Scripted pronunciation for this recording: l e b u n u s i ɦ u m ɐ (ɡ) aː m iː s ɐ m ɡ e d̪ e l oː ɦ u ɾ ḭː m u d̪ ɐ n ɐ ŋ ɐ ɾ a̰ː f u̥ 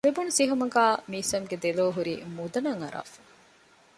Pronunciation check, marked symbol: correct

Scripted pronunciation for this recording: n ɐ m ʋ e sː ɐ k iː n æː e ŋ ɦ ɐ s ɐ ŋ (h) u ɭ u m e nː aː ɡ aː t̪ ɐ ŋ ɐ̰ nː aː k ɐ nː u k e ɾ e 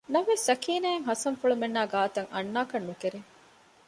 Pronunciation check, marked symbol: incorrect: f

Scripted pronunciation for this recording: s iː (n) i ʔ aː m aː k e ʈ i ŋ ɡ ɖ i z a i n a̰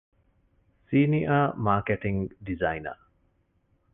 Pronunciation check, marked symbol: correct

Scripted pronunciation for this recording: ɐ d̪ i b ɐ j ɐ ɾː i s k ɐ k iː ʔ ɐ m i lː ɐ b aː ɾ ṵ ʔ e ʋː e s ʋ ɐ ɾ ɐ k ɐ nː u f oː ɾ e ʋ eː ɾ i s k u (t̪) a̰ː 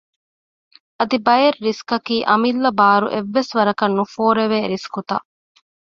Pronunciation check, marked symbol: correct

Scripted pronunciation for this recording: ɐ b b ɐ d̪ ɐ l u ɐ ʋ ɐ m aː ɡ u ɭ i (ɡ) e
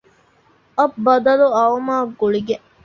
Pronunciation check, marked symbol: correct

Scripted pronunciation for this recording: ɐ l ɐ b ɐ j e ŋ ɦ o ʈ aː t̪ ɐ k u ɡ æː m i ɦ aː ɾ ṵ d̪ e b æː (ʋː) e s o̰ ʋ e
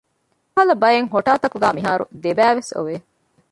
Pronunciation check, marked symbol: incorrect: ʋ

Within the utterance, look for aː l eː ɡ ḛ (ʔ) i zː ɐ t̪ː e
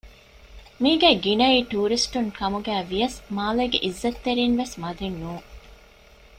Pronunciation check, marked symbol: correct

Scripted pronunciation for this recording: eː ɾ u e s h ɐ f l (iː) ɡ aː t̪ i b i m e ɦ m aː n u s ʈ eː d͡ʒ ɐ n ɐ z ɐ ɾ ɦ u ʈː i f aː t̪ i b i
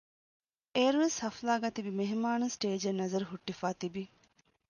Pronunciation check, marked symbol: incorrect: aː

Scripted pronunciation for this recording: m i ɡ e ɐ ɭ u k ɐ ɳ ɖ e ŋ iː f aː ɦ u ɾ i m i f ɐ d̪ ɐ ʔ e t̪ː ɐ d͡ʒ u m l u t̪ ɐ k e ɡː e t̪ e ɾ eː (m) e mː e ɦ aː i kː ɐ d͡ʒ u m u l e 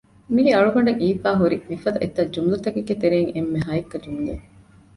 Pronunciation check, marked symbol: incorrect: ŋ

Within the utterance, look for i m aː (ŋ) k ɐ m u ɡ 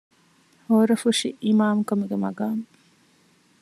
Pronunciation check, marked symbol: incorrect: m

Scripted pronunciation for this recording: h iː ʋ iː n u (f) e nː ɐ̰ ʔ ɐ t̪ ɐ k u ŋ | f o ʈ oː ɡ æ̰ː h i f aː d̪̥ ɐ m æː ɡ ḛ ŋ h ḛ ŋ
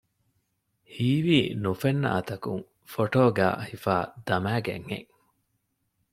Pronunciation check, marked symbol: correct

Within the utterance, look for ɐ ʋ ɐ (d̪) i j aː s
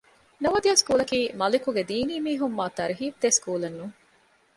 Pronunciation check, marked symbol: correct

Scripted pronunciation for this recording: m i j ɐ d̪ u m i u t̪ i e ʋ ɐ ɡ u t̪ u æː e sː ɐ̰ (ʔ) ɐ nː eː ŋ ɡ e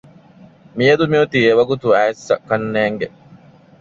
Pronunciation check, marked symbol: incorrect: k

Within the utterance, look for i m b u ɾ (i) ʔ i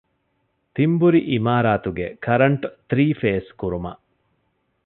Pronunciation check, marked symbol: correct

